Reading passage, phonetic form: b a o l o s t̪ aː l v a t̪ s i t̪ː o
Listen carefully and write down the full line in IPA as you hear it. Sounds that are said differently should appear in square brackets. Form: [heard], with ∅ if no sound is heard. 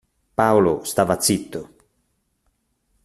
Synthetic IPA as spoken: [p] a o l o s t̪ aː [∅] v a t̪ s i t̪ː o